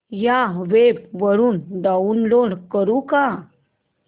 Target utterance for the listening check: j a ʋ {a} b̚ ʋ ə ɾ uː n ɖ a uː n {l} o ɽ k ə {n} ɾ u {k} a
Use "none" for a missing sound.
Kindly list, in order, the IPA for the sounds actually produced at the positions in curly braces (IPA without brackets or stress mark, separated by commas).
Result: e, l, none, k